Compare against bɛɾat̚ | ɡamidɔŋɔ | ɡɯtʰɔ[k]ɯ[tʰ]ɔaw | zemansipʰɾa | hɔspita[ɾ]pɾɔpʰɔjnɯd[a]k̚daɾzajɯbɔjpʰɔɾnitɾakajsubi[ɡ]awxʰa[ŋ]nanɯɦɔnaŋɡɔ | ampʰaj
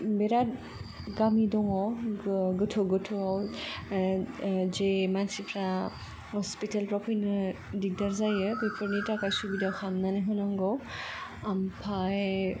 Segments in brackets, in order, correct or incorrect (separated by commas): incorrect, correct, incorrect, incorrect, incorrect, incorrect